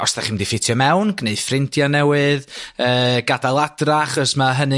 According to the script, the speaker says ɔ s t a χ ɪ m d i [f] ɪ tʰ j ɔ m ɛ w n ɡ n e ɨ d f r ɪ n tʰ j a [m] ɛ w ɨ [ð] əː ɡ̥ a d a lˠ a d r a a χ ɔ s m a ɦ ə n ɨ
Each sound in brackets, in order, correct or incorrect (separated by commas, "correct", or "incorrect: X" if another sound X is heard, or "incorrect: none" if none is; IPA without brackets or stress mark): correct, incorrect: n, correct